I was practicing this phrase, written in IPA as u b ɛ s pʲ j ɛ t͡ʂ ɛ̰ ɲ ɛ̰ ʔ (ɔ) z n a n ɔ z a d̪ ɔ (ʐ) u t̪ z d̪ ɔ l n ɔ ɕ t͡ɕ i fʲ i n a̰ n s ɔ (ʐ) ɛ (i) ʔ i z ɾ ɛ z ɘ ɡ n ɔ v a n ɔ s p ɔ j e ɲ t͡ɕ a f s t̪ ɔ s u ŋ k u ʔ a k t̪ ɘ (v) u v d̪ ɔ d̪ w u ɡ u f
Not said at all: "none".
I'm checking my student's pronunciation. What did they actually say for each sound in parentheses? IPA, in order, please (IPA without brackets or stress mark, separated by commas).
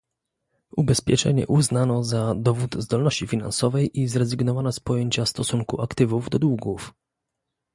u, v, v, j, v